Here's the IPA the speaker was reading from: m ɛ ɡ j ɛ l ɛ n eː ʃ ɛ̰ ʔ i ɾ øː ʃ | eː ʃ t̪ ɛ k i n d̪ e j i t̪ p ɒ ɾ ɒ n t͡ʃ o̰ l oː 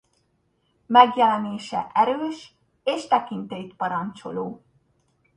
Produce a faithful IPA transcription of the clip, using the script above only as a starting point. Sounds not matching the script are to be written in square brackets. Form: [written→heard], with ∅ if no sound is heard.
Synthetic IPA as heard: m ɛ ɡ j ɛ l ɛ n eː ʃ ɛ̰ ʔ [i→ɛ] ɾ øː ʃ | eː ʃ t̪ ɛ k i n [d̪→t̪] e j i t̪ p ɒ ɾ ɒ n t͡ʃ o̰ l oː